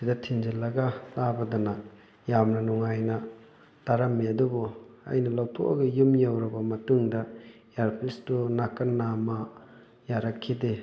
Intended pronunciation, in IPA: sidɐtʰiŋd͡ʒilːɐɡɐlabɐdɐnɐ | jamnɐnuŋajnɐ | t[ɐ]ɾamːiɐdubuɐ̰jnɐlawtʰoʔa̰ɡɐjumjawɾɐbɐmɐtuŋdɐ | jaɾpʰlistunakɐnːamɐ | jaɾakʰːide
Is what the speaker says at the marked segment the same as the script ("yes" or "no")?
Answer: no